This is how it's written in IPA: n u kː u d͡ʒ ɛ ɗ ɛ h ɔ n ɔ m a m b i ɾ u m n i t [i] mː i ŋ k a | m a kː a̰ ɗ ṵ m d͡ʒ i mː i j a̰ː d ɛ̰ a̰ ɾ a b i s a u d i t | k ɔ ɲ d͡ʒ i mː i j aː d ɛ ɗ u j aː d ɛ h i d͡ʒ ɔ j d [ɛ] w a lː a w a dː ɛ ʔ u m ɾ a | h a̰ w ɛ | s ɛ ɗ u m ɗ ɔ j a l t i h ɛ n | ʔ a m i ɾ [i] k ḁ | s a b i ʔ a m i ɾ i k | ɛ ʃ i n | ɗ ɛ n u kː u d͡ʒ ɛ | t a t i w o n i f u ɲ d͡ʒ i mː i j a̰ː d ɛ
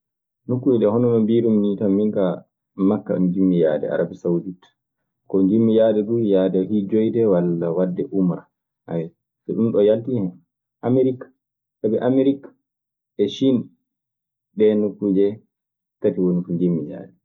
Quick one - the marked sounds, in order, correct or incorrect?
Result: incorrect, correct, correct

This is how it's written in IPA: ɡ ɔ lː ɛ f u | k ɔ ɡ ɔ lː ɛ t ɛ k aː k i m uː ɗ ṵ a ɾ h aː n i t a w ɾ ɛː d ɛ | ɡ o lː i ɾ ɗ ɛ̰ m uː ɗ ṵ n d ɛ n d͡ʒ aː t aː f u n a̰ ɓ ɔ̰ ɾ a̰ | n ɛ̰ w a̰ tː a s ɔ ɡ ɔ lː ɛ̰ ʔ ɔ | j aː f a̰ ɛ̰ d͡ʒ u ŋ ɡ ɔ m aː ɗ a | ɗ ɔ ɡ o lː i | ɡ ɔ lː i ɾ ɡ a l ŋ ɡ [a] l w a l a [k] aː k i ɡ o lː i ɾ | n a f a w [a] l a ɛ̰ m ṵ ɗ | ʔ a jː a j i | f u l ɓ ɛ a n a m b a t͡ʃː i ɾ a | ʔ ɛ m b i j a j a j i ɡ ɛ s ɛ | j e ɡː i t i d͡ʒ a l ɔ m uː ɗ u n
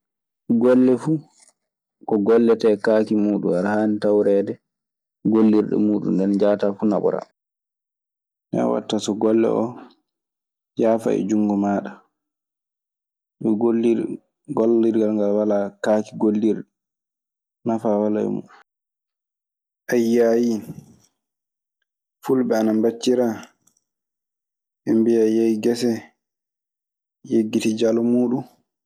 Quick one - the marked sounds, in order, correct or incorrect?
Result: correct, correct, correct

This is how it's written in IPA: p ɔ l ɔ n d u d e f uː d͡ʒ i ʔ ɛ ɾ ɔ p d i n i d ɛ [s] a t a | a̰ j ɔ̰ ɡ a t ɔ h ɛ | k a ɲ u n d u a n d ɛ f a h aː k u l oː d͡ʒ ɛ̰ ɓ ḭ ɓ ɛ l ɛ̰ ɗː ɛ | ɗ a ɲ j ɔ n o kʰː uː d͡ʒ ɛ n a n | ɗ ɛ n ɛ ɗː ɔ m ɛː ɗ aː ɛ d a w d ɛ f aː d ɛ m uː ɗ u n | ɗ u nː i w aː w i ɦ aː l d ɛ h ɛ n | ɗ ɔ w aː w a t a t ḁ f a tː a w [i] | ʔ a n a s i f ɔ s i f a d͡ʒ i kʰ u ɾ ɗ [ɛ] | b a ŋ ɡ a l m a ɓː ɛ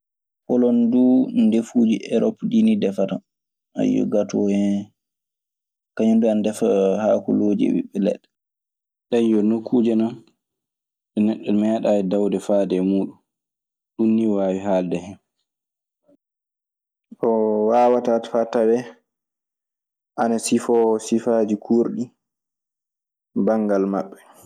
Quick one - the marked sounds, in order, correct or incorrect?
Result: incorrect, incorrect, incorrect

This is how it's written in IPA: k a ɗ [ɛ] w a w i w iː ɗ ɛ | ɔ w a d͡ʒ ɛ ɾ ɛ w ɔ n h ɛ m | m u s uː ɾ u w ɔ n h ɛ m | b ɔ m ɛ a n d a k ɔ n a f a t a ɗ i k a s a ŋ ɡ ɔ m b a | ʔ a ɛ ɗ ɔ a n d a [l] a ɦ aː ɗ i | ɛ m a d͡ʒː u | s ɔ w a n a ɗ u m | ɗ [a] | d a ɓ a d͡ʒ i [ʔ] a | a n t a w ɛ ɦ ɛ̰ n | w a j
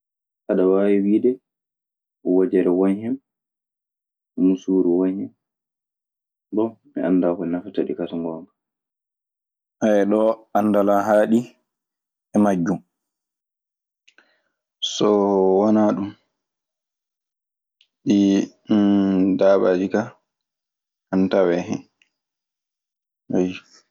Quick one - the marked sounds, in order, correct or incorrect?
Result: incorrect, correct, incorrect, incorrect

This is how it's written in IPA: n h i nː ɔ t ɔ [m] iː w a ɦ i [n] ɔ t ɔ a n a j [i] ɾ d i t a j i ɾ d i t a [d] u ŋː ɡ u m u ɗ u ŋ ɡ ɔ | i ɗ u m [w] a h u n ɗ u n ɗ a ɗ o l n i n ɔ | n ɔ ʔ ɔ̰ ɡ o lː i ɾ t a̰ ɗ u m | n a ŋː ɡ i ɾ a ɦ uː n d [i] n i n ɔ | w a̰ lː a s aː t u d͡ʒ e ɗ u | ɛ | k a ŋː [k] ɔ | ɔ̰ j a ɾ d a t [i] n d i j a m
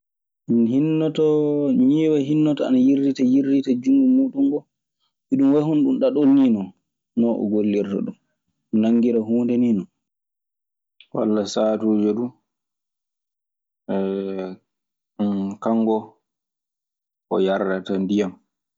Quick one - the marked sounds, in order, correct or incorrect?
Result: incorrect, incorrect, correct, incorrect, correct, incorrect, incorrect, incorrect

